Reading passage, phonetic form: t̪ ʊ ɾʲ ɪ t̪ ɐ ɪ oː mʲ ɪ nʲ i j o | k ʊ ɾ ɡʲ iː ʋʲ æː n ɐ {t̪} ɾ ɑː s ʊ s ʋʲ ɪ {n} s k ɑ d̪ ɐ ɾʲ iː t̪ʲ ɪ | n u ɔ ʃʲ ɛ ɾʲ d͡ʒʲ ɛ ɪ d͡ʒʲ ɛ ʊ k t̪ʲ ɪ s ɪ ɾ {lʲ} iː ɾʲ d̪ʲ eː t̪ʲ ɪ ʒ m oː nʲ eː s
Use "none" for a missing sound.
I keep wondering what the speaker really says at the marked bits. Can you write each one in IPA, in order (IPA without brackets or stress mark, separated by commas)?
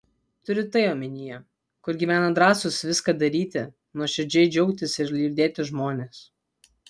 d̪, none, lʲ